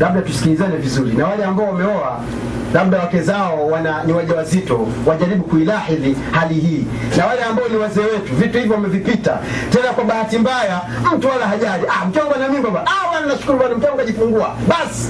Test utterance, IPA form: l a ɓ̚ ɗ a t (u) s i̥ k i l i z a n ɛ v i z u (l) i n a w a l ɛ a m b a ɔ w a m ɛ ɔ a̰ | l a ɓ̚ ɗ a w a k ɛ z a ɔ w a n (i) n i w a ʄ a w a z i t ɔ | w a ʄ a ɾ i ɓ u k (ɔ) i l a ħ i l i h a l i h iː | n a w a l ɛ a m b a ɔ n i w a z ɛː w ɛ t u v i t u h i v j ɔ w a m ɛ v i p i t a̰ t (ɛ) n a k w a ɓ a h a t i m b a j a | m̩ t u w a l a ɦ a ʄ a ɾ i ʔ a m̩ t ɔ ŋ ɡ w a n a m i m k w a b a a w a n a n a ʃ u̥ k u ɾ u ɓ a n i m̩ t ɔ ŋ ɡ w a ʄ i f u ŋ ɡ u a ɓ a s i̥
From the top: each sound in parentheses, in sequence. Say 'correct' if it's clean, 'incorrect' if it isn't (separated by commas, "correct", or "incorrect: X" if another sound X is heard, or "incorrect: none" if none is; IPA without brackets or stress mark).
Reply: correct, incorrect: ɾ, incorrect: a, incorrect: u, correct